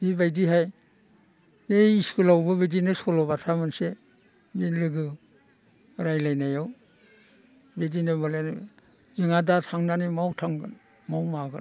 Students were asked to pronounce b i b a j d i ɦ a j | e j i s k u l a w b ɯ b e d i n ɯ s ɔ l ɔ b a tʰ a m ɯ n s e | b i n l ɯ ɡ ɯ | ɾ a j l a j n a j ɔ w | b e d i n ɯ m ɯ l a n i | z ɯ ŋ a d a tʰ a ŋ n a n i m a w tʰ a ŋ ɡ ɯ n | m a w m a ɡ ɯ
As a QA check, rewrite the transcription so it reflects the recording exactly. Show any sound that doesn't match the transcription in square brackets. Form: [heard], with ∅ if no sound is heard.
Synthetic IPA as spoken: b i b a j d i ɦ a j | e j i s k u l a w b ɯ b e d i n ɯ s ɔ l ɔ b a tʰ a m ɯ n s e | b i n l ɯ ɡ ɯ | ɾ a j l a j n a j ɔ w | b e d i n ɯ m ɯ l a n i | z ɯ ŋ a d a tʰ a ŋ n a n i m a w tʰ a ŋ ɡ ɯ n | m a w m a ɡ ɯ